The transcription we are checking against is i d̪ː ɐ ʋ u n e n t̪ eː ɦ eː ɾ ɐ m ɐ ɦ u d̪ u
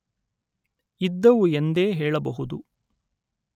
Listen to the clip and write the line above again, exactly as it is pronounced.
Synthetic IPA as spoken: i d̪ː ɐ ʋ u e n d̪ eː ɦ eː ɭ ɐ b ɐ ɦ u d̪ u

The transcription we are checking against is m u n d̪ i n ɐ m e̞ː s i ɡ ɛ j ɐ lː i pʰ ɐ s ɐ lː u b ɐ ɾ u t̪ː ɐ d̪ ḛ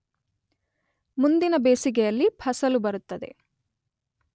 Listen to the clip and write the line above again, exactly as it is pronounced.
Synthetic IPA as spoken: m u n d̪ i n ɐ b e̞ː s i ɡ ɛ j ɐ lː i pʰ ɐ s ɐ l u b ɐ ɾ u t̪ː ɐ d̪ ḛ

